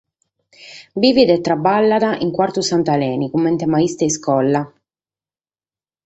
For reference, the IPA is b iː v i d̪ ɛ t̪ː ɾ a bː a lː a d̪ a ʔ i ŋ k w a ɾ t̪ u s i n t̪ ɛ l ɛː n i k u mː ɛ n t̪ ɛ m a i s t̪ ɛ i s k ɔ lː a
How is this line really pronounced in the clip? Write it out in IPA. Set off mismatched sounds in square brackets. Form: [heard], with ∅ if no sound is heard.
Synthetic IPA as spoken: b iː v i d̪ ɛ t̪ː ɾ a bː a lː a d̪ a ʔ i ŋ k w a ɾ t̪ u s [a] n t̪ [a] l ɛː n i k u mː ɛ n t̪ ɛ m a i s t̪ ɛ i s k ɔ lː a